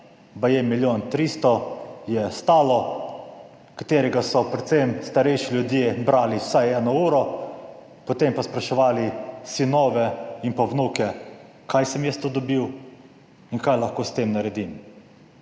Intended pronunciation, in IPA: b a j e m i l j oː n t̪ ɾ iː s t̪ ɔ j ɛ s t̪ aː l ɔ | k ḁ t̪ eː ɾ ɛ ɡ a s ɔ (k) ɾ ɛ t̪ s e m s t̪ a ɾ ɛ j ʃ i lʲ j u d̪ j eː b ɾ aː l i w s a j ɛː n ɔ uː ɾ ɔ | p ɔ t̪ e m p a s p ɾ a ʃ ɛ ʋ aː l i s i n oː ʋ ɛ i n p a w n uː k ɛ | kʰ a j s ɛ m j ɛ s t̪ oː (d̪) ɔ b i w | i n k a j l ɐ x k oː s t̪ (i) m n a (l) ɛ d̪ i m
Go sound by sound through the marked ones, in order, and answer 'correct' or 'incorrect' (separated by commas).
incorrect, correct, incorrect, incorrect